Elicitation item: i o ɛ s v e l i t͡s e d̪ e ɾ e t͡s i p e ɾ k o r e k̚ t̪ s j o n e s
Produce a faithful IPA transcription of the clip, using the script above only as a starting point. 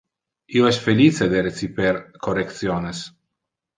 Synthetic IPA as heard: i o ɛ s f e l i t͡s e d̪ e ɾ e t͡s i p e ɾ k o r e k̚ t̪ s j o n e s